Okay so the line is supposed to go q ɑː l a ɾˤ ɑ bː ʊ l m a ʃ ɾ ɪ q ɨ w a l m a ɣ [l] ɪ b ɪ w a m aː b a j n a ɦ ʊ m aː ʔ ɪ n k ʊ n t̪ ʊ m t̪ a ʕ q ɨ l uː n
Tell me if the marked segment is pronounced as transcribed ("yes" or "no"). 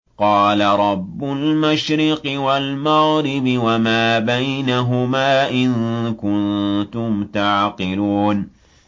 no